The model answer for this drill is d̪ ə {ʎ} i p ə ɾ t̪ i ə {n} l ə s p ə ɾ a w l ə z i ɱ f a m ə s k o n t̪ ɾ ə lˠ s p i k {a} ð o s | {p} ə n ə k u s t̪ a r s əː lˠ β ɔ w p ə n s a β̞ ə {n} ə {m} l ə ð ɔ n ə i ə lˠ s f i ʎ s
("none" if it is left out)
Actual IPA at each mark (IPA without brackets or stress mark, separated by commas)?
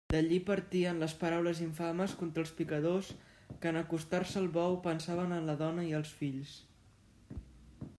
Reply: ʎ, n, ə, k, n, n